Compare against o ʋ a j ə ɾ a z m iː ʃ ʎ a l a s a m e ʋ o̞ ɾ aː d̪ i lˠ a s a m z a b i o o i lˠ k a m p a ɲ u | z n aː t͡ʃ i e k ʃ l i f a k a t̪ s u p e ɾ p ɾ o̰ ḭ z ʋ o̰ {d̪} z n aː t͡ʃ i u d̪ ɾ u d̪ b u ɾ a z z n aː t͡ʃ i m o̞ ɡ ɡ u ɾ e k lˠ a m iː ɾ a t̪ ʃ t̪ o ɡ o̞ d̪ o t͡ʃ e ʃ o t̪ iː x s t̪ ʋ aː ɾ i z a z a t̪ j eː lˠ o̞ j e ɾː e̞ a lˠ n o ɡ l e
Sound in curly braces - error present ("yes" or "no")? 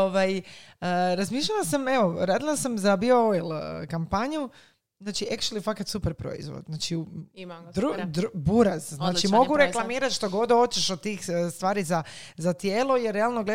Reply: no